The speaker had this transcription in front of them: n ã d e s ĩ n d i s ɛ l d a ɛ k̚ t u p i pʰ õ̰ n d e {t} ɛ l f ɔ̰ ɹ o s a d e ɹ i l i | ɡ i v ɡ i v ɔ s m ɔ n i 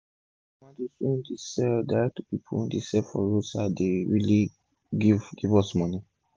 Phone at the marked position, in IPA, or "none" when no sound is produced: s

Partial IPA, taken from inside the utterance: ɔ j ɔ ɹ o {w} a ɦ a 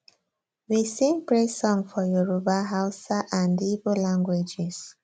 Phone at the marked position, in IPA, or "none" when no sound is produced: b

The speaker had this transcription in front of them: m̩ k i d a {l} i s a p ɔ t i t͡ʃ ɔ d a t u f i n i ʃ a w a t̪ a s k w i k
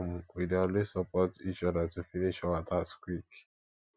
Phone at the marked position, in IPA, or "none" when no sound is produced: l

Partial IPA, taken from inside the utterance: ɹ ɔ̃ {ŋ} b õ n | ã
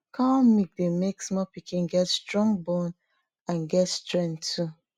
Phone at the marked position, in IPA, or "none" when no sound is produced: ŋ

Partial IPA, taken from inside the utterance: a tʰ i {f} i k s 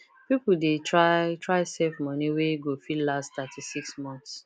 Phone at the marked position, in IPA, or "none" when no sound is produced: s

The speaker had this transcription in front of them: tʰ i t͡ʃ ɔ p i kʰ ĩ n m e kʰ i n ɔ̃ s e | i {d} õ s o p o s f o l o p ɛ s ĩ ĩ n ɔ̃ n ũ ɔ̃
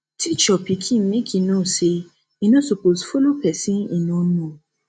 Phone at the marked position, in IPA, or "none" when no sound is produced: n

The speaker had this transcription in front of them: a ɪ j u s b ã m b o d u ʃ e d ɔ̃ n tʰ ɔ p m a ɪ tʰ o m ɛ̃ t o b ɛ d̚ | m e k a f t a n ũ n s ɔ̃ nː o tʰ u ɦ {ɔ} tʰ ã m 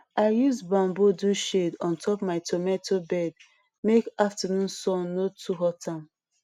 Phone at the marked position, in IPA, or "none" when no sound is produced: ɔ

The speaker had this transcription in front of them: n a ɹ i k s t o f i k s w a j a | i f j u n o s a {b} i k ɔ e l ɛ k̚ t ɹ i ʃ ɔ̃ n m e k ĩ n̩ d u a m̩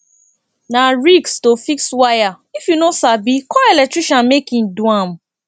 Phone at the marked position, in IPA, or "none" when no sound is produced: b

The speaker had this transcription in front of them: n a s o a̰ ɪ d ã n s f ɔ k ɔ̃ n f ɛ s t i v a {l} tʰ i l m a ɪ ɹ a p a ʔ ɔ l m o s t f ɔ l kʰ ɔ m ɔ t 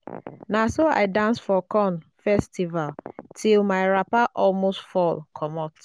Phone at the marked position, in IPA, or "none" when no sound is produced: l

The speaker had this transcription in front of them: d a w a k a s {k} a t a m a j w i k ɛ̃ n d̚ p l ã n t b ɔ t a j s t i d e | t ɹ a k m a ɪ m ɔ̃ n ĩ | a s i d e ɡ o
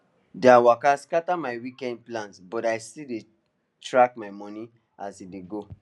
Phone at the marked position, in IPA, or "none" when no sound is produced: k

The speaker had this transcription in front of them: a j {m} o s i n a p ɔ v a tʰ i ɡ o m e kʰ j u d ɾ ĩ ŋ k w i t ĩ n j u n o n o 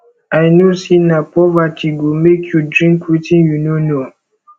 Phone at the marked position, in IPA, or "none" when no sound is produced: n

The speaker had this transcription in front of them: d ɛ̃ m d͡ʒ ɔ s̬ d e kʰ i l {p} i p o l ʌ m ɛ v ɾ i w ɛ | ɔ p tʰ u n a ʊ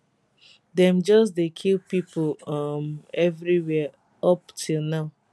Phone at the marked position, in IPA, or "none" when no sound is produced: p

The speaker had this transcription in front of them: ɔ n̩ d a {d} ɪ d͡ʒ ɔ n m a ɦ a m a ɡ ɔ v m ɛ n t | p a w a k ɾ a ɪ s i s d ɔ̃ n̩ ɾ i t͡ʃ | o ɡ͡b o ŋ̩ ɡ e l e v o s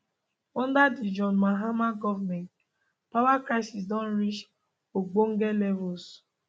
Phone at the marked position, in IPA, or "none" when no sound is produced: d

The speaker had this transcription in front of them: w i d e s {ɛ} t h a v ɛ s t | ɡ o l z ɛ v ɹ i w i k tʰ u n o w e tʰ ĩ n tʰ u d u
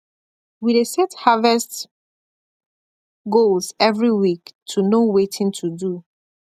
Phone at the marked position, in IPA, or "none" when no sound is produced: ɛ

